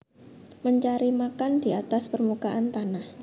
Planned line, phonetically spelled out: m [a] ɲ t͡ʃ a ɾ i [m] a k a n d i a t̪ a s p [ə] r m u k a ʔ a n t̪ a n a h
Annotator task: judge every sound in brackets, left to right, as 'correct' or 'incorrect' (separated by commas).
incorrect, correct, correct